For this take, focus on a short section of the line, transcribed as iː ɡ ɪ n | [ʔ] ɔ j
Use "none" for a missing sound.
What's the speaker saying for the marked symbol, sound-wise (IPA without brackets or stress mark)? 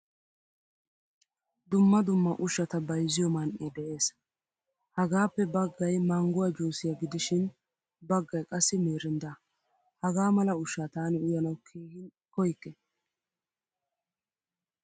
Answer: k